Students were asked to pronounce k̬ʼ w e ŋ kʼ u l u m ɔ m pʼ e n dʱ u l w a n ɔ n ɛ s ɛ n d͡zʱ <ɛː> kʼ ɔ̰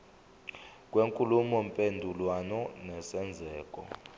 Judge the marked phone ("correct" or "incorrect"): correct